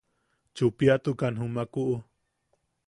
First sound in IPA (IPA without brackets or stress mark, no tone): t͡ʃ